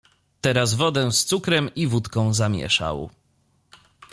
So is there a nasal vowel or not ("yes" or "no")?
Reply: yes